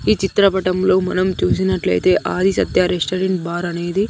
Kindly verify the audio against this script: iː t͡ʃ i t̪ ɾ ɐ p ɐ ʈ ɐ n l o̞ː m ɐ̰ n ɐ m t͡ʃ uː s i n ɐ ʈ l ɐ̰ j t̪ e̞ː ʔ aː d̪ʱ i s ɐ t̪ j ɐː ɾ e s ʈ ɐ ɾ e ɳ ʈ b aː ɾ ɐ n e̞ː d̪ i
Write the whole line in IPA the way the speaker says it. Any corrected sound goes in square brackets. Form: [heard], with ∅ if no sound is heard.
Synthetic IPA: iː t͡ʃ i t̪ ɾ ɐ p ɐ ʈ ɐ [m] l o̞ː m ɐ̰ n ɐ m t͡ʃ uː s i n ɐ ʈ l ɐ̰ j t̪ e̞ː ʔ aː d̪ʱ i s ɐ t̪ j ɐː ɾ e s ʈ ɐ ɾ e ɳ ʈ b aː ɾ ɐ n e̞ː d̪ i